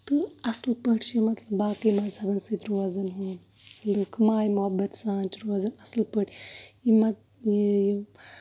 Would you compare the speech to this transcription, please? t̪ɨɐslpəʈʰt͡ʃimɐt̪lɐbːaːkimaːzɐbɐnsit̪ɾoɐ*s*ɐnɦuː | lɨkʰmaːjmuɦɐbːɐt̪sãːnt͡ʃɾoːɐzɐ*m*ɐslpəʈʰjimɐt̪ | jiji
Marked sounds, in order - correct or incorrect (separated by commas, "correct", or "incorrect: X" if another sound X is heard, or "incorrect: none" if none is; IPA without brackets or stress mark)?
incorrect: z, incorrect: n